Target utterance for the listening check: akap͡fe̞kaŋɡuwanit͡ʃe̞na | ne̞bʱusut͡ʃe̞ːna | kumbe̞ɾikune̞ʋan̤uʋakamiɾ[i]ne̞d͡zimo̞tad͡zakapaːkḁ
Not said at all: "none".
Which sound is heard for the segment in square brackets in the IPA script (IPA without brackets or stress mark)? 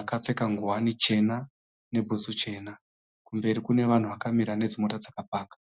a